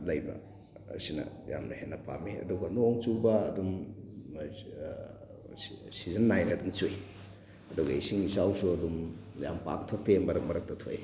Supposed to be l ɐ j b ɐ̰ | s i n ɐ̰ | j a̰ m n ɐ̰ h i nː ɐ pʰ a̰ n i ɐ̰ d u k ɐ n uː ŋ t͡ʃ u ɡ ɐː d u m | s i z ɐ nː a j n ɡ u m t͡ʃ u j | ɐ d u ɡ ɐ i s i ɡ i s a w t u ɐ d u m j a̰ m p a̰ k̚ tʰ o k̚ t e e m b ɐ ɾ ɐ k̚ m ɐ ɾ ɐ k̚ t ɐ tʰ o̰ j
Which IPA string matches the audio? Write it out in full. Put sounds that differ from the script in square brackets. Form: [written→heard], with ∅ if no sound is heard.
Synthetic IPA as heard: l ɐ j b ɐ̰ | s i n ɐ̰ | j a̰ m n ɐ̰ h [i→e] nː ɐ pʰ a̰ [n→m] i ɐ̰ d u [k→ɡ] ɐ n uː ŋ t͡ʃ u [ɡ→b] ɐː d u m | s i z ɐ nː a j n [ɡ→d] u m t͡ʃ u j | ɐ d u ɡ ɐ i s i [ɡ→ŋ] i s a w [t→s] u ɐ d u m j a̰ m p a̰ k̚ tʰ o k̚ t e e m b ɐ ɾ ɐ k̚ m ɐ ɾ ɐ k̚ t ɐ tʰ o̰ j